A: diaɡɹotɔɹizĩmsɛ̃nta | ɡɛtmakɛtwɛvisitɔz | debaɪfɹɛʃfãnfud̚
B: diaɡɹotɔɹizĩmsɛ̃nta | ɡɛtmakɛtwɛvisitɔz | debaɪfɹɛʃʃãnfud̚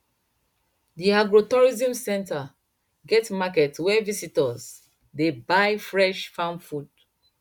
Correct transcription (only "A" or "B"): A